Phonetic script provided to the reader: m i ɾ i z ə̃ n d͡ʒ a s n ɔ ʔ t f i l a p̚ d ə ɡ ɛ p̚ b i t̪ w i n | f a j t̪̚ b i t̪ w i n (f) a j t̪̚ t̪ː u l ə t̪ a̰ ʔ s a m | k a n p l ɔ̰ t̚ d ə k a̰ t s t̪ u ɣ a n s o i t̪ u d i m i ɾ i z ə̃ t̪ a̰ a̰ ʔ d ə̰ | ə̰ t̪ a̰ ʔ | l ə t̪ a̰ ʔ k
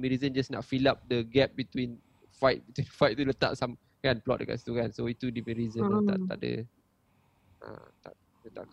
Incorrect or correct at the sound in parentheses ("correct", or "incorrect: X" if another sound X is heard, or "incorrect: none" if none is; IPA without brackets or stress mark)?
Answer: correct